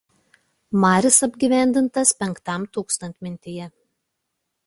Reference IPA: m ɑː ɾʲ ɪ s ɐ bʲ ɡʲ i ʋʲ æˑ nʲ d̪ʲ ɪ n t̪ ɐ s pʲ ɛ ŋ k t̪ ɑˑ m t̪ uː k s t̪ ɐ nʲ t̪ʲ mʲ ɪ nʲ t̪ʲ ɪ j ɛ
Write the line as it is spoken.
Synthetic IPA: m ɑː ɾʲ ɪ s ɐ bʲ ɡʲ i ʋʲ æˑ nʲ d̪ʲ ɪ n t̪ ɐ s pʲ ɛ ŋ k t̪ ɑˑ m t̪ uː k s t̪ ɐ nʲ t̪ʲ mʲ ɪ nʲ t̪ʲ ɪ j ɛ